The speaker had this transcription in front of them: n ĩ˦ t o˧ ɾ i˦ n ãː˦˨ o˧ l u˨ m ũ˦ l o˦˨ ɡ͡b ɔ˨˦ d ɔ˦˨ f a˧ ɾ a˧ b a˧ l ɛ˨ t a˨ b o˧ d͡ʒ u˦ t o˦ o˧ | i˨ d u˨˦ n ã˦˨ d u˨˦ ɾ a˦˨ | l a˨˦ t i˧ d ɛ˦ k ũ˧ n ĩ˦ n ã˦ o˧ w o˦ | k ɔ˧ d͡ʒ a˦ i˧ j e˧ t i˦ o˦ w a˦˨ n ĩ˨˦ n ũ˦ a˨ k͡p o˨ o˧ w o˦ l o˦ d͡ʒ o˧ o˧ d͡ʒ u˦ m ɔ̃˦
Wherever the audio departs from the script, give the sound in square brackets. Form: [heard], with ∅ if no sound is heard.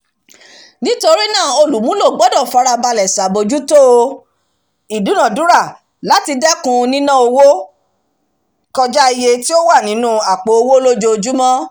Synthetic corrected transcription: n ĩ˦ t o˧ ɾ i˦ n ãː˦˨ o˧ l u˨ m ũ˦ l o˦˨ ɡ͡b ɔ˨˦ d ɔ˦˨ f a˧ ɾ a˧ b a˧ l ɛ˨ [s] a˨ b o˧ d͡ʒ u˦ t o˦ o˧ | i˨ d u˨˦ n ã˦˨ d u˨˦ ɾ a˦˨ | l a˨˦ t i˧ d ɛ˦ k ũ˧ n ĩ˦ n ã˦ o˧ w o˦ | k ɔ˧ d͡ʒ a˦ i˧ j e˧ t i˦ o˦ w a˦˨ n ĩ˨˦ n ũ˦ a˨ k͡p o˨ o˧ w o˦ l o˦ d͡ʒ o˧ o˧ d͡ʒ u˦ m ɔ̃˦